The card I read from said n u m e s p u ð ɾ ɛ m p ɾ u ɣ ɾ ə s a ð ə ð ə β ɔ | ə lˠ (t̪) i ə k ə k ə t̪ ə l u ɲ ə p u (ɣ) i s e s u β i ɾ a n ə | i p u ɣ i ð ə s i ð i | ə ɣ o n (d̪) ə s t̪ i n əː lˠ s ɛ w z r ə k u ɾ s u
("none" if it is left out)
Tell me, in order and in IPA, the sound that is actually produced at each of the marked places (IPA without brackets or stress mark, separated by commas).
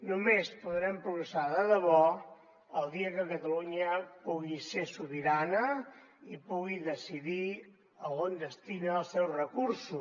d̪, ɣ, d̪